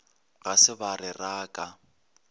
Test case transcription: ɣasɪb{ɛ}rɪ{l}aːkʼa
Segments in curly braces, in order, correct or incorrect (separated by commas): incorrect, incorrect